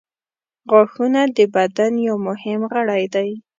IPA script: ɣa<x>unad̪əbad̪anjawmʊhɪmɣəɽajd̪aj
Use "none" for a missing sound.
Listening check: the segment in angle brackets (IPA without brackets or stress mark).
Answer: x